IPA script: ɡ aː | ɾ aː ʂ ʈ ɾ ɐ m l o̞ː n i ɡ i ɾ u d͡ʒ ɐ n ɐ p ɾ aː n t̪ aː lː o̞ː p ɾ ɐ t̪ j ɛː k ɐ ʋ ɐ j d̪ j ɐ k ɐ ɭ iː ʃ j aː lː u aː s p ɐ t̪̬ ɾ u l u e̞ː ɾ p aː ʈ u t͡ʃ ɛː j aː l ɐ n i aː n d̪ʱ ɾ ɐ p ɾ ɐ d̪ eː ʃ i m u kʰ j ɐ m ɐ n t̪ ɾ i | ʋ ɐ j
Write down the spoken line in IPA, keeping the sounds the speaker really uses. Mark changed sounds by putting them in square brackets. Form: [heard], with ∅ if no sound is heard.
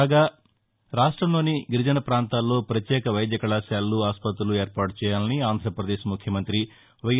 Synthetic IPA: ɡ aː | ɾ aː ʂ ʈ ɾ ɐ m l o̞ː n i ɡ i ɾ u d͡ʒ ɐ n ɐ p ɾ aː n t̪ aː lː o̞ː p ɾ ɐ t̪ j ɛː k ɐ ʋ ɐ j d̪ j ɐ k ɐ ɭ [aː] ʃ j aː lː u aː s p ɐ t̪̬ ɾ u l u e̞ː ɾ p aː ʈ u t͡ʃ ɛː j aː l ɐ n i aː n d̪ʱ ɾ ɐ p ɾ ɐ d̪ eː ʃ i m u kʰ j ɐ m ɐ n t̪ ɾ i | ʋ ɐ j